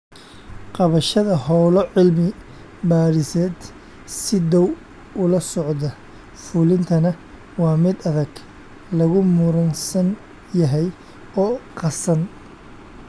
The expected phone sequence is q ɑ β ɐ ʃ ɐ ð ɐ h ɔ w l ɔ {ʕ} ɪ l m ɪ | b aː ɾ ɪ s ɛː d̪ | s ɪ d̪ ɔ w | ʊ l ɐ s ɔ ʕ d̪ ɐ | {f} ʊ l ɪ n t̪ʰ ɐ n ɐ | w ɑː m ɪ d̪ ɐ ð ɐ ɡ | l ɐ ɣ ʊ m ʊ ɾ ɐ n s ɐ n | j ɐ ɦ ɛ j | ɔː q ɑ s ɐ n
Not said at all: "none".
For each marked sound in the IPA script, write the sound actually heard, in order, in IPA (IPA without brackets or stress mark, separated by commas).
ʕ, f